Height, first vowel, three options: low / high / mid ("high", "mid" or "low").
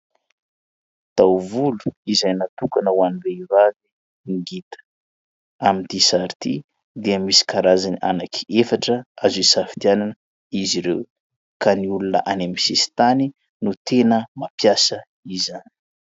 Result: low